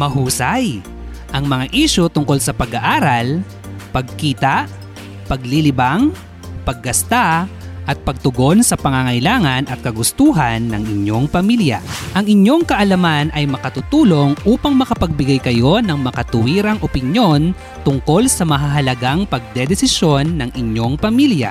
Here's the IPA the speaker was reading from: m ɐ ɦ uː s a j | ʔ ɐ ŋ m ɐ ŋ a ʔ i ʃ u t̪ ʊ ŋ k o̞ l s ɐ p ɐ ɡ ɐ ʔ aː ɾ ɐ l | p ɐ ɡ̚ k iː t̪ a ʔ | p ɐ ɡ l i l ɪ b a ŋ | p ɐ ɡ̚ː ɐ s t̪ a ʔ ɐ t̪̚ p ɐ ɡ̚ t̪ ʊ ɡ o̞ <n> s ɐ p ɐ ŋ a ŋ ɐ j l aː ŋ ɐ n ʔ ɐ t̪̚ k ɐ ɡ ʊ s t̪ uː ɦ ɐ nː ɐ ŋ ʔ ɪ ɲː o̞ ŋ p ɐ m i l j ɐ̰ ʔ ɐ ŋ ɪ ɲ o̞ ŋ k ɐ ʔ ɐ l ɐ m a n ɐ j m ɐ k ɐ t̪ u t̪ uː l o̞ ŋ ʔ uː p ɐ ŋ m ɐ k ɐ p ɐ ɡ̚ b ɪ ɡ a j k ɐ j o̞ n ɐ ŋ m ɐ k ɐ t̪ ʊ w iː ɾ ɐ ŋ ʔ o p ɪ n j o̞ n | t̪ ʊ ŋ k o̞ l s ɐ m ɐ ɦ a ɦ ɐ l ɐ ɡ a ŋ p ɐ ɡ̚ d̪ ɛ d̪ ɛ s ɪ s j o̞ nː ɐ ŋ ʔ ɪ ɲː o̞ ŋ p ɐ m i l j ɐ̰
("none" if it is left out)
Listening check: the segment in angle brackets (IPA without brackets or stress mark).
n